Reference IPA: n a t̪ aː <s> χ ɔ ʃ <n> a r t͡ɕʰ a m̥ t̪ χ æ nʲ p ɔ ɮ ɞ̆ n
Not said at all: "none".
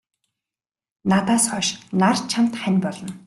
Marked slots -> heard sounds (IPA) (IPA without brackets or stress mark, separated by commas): s, n